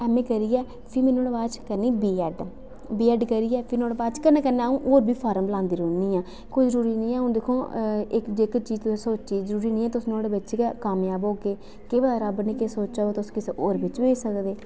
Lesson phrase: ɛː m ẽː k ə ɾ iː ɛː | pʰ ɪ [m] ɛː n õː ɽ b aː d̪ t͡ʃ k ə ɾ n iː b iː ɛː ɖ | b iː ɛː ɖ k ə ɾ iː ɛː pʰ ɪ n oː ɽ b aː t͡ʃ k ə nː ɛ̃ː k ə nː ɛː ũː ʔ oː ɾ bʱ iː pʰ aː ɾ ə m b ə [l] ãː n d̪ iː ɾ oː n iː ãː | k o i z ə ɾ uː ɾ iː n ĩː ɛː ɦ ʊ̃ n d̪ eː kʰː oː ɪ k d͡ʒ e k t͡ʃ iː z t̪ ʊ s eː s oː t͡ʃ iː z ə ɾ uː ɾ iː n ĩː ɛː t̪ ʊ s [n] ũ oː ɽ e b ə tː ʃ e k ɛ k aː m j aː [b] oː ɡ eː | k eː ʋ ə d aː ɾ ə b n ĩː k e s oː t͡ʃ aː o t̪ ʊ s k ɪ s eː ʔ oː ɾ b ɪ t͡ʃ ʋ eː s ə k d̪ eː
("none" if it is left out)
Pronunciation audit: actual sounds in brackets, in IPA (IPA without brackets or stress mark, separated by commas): m, l, n, b